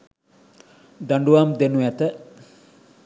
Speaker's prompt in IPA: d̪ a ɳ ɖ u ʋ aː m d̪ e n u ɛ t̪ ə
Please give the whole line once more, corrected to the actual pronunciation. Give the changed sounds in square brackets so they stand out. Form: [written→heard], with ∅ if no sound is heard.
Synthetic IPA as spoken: d̪ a ɳ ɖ u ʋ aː m d̪ e n u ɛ t̪ ə